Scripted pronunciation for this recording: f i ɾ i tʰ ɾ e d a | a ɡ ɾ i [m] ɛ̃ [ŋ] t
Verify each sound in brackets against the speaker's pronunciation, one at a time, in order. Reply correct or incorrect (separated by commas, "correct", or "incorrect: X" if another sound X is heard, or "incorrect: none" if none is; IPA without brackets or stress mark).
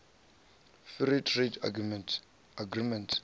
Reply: correct, incorrect: n